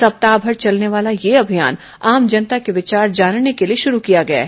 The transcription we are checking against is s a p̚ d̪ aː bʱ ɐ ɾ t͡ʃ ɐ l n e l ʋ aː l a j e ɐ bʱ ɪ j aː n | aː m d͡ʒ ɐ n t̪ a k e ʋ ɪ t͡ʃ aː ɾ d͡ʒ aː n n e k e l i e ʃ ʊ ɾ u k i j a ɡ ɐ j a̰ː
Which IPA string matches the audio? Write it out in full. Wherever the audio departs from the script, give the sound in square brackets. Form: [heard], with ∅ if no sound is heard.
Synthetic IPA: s [ɐ] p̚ [t̪] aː bʱ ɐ ɾ t͡ʃ ɐ l n e [∅] ʋ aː l a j e ɐ bʱ [i] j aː n | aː m d͡ʒ ɐ n t̪ a k e ʋ ɪ t͡ʃ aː ɾ d͡ʒ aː n n e k e l i e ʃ ʊ ɾ u k i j a ɡ ɐ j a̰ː